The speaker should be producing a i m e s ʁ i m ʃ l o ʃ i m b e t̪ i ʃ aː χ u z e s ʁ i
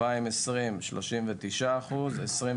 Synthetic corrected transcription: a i m e s ʁ i m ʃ l o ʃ i m v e t̪ i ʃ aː χ u z e s ʁ i